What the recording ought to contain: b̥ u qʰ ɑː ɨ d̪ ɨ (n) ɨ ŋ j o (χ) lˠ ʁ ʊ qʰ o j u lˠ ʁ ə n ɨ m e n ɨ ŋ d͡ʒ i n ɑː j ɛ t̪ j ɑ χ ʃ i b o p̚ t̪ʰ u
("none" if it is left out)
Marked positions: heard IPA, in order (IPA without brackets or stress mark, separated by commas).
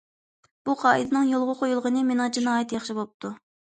n, none